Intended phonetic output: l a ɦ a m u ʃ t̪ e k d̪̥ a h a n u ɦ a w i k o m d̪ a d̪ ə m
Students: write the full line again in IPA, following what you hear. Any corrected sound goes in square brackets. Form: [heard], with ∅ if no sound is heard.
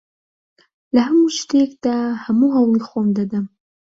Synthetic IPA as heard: l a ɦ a m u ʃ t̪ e k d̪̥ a h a [m] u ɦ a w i [x] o m d̪ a d̪ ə m